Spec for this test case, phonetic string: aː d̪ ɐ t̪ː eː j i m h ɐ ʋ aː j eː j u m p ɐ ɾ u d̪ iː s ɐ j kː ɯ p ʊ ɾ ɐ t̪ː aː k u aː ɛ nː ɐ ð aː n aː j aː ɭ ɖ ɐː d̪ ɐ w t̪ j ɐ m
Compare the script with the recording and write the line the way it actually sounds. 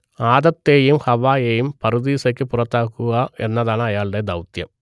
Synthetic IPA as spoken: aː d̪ ɐ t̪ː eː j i m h ɐ ʋ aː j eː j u m p ɐ ɾ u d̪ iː s ɐ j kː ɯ p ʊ ɾ ɐ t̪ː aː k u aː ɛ nː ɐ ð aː n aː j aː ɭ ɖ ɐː d̪ ɐ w t̪ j ɐ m